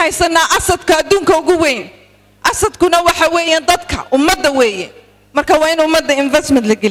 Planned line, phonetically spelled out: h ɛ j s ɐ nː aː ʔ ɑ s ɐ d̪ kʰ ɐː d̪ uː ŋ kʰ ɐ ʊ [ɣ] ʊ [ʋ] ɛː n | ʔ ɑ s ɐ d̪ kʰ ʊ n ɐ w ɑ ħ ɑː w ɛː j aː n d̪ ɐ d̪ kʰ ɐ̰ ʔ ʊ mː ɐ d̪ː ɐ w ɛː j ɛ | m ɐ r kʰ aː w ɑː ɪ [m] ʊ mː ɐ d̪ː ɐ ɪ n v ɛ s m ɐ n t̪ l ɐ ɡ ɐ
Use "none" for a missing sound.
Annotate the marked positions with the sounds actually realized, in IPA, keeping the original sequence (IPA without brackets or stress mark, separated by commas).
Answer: ɣ, w, n